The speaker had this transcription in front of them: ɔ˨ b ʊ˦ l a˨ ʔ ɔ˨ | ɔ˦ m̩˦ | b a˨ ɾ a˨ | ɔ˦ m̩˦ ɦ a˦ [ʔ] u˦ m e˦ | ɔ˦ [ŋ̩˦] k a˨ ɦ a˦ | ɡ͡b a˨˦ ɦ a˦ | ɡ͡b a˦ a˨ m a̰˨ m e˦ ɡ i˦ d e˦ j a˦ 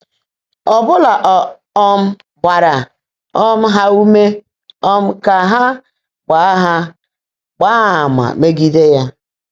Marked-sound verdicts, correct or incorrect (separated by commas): incorrect, incorrect